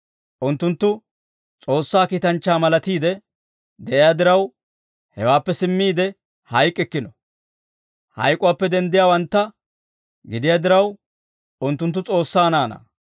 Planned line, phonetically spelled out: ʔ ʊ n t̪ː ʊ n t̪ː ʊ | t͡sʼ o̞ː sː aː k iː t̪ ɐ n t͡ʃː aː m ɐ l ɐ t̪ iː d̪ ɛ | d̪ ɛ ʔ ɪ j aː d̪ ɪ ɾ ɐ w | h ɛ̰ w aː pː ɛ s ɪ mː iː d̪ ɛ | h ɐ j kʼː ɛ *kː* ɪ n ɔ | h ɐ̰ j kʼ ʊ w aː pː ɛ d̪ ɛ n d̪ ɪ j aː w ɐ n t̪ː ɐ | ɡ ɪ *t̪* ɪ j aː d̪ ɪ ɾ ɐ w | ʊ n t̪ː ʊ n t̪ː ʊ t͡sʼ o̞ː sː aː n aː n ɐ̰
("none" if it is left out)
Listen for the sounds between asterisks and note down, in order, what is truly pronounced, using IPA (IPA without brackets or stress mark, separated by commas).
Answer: kː, d̪